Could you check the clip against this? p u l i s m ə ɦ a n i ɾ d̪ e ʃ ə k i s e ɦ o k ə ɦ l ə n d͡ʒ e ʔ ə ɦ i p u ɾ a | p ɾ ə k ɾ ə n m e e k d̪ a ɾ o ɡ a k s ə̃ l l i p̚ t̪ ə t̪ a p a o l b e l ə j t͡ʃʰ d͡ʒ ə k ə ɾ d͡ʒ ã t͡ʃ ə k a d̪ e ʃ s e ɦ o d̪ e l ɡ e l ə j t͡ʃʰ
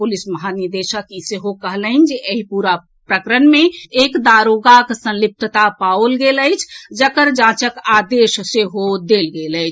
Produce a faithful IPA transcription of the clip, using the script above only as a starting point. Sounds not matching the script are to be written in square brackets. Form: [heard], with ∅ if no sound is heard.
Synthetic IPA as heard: p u l i s m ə ɦ a n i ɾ d̪ e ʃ ə k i s e ɦ o k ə ɦ l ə n d͡ʒ e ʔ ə ɦ i p u ɾ a | p ɾ ə k ɾ ə n m e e k d̪ a ɾ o ɡ a k s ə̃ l l i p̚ t̪ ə t̪ a p a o l [ɡ] e l ə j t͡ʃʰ d͡ʒ ə k ə ɾ d͡ʒ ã t͡ʃ ə k a d̪ e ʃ s e ɦ o d̪ e l ɡ e l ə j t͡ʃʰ